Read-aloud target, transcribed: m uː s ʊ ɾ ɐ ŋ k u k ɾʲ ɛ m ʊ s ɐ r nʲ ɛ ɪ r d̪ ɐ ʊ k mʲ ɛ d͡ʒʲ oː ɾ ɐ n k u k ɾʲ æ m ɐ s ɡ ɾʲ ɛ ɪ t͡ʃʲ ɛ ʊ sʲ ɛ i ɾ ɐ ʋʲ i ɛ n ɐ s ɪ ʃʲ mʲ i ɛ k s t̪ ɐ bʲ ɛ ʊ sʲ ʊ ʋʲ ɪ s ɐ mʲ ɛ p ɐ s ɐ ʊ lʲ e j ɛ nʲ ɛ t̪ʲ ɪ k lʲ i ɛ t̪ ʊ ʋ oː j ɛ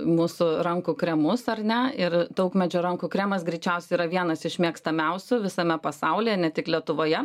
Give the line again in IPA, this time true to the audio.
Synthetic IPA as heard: m uː s ʊ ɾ ɐ ŋ k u k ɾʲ ɛ m ʊ s ɐ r nʲ ɛ ɪ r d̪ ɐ ʊ k mʲ ɛ d͡ʒʲ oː ɾ ɐ ŋ k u k ɾʲ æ m ɐ s ɡ ɾʲ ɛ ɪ t͡ʃʲ ɛ ʊ sʲ ɛ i ɾ ɐ ʋʲ i ɛ n ɐ s ɪ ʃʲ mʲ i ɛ k s t̪ ɐ mʲ ɛ ʊ sʲ ʊ ʋʲ ɪ s ɐ mʲ ɛ p ɐ s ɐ ʊ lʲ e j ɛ nʲ ɛ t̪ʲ ɪ k lʲ i ɛ t̪ ʊ ʋ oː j ɛ

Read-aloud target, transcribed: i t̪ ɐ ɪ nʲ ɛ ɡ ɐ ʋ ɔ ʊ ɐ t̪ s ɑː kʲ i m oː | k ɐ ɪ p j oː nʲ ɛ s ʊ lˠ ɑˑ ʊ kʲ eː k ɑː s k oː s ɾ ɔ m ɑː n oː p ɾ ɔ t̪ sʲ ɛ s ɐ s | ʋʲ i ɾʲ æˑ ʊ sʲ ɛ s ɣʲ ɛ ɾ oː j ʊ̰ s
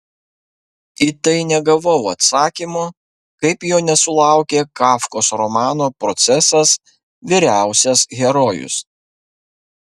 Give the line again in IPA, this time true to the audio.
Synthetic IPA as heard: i t̪ ɐ ɪ nʲ ɛ ɡ ɐ ʋ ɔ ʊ ɐ t̪ s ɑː kʲ i m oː | k ɐ ɪ p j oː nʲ ɛ s ʊ lˠ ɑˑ ʊ kʲ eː k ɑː f k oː s ɾ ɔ m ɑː n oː p ɾ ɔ t̪ sʲ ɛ s ɐ s | ʋʲ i ɾʲ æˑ ʊ sʲ ɛ s ɣʲ ɛ ɾ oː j ʊ̰ s

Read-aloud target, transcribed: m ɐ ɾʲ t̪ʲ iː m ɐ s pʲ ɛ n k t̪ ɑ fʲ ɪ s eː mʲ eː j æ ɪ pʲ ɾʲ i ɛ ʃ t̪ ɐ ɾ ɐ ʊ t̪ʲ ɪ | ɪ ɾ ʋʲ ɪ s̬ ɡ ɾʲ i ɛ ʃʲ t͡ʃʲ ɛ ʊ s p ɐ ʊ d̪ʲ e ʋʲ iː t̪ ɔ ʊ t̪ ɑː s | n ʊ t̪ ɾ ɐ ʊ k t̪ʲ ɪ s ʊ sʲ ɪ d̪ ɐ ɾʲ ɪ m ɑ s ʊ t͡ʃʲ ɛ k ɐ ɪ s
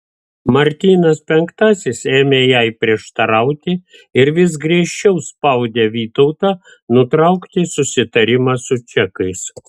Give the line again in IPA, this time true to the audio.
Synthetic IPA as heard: m ɐ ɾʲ t̪ʲ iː n ɐ s pʲ ɛ ŋ k t̪ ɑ sʲ ɪ s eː mʲ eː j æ ɪ pʲ ɾʲ i ɛ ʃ t̪ ɐ ɾ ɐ ʊ t̪ʲ ɪ | ɪ ɾ ʋʲ ɪ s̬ ɡ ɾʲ i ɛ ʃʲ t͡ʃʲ ɛ ʊ s p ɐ ʊ d̪ʲ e ʋʲ iː t̪ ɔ ʊ t̪ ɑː | n ʊ t̪ ɾ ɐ ʊ k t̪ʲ ɪ s ʊ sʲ ɪ t̪ ɐ ɾʲ ɪ m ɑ s ʊ t͡ʃʲ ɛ k ɐ ɪ s

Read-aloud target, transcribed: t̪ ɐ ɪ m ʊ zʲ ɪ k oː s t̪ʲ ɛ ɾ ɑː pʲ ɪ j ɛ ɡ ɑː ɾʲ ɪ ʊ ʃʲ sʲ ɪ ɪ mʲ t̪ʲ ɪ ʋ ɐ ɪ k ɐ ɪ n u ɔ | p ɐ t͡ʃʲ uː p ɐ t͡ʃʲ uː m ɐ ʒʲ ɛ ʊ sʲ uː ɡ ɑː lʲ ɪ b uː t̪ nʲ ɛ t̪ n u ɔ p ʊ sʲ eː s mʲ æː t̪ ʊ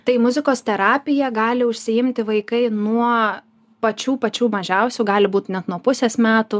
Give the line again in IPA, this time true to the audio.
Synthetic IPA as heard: t̪ ɐ ɪ m ʊ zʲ ɪ k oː s t̪ʲ ɛ ɾ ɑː pʲ ɪ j ɛ ɡ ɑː lʲ ɪ ʊ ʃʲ sʲ ɪ ɪ mʲ t̪ʲ ɪ ʋ ɐ ɪ k ɐ ɪ n u ɔ | p ɐ t͡ʃʲ uː p ɐ t͡ʃʲ uː m ɐ ʒʲ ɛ ʊ sʲ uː ɡ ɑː lʲ ɪ b uː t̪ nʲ ɛ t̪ n u ɔ p ʊ sʲ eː s mʲ æː t̪ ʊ

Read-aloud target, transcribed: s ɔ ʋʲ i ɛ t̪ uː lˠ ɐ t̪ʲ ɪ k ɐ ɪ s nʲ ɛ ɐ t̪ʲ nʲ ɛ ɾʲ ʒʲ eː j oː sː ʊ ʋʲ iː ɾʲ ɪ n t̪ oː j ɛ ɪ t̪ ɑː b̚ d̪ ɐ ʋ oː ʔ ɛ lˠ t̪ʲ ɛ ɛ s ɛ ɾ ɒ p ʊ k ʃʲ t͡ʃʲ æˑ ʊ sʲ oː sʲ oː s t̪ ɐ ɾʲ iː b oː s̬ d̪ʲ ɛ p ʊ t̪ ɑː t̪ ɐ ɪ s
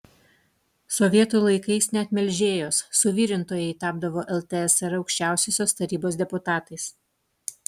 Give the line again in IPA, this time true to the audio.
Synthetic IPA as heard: s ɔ ʋʲ i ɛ t̪ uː lˠ ɐ ɪ k ɐ ɪ s nʲ ɛ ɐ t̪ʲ mʲ ɛ lʲ ʒʲ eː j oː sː ʊ ʋʲ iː ɾʲ ɪ n t̪ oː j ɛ ɪ t̪ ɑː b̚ d̪ ɐ ʋ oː ʔ ɛ lˠ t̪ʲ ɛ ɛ s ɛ ɾ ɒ ʊ k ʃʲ t͡ʃʲ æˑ ʊ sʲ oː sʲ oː s t̪ ɐ ɾʲ iː b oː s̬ d̪ʲ ɛ p ʊ t̪ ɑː t̪ ɐ ɪ s

